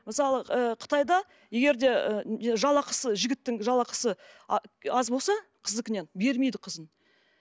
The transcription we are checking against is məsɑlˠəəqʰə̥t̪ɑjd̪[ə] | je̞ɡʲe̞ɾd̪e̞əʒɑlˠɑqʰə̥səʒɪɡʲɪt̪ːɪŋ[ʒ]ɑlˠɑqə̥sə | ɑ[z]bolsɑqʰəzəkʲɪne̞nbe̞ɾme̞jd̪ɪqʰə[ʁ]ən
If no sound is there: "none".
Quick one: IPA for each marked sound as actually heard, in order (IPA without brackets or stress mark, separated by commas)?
ɑ, ʒ, z, z